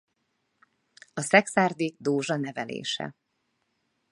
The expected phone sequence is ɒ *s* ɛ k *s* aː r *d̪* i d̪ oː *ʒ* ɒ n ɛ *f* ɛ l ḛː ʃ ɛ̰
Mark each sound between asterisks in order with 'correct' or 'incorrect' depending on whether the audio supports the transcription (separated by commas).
correct, correct, correct, correct, incorrect